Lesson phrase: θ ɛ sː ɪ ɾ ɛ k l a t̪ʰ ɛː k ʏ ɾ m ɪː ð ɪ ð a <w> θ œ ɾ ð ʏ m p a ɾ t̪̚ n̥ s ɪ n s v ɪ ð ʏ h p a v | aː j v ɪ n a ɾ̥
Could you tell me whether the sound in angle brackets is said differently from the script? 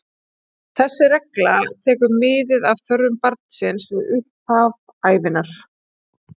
yes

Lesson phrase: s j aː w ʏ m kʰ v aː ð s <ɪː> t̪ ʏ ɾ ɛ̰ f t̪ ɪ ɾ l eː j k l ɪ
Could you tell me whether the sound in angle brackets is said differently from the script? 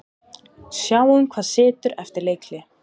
no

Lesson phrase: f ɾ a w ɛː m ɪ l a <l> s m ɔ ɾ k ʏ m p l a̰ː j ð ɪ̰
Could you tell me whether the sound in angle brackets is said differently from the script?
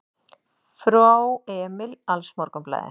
no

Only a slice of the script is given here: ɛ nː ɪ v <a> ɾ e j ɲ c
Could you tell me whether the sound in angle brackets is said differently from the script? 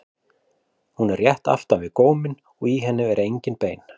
yes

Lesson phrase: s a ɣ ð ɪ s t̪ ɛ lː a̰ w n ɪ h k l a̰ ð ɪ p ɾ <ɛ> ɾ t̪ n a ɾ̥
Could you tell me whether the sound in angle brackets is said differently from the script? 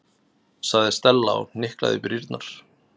yes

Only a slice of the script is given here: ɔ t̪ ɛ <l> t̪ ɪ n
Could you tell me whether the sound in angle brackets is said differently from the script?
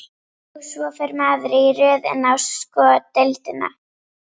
no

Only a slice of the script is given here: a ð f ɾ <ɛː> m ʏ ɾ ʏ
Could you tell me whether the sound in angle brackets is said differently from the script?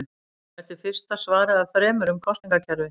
no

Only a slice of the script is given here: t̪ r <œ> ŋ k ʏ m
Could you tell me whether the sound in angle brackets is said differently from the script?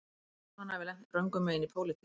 no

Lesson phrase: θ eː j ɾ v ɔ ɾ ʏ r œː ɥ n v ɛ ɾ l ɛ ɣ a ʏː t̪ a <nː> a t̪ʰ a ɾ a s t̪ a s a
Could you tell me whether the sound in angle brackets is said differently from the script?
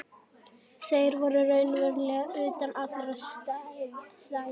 yes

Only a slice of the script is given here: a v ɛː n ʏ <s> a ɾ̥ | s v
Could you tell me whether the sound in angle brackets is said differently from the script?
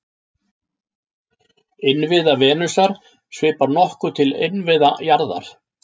no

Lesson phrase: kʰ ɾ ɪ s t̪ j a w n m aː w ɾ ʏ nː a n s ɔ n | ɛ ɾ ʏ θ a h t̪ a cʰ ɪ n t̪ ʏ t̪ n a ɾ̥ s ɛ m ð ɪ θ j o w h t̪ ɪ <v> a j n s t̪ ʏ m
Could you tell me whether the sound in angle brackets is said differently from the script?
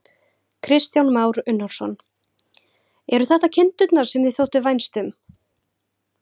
no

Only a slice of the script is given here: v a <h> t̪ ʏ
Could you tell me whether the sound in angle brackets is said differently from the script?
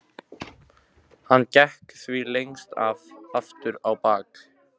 yes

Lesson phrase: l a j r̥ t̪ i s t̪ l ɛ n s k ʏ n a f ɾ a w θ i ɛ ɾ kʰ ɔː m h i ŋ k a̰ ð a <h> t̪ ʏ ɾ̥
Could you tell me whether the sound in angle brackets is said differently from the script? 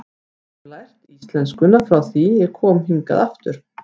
yes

